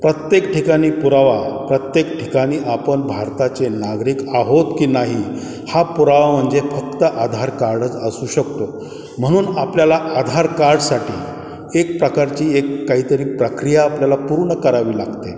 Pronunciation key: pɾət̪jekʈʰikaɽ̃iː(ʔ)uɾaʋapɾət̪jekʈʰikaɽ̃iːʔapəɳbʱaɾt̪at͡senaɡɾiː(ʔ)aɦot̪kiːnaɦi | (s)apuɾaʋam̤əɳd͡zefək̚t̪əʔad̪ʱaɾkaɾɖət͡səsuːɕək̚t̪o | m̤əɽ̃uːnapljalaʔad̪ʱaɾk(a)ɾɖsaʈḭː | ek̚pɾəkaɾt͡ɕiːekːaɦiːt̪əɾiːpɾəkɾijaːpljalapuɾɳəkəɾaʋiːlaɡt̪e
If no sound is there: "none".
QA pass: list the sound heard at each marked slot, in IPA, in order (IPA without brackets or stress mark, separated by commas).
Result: p, k, h, a